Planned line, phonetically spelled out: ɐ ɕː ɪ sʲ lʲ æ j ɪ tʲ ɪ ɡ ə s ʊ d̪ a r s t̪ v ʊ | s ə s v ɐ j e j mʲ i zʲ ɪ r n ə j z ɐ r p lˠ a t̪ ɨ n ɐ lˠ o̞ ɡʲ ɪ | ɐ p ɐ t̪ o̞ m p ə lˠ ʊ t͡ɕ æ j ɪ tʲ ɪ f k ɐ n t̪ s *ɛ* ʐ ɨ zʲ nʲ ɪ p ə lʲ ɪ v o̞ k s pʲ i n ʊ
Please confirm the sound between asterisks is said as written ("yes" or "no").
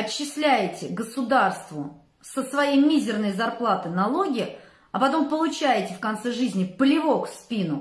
yes